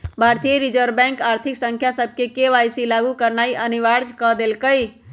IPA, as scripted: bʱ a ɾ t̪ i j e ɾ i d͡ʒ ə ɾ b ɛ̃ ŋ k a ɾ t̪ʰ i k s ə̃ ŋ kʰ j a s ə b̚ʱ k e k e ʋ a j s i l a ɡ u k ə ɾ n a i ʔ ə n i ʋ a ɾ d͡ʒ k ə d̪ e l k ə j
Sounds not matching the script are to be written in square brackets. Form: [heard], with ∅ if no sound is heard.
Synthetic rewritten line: bʱ a ɾ t̪ i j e ɾ i d͡ʒ ə ɾ b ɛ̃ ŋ k a ɾ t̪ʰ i k s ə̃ ŋ kʰ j a s ə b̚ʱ k e k e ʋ a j s i l a ɡ u k ə ɾ n a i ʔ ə n i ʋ a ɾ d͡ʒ k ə d̪ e l k ə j